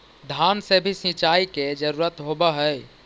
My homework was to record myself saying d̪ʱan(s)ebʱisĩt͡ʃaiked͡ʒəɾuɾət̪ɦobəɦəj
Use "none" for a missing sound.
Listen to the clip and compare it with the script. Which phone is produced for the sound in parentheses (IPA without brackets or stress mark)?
s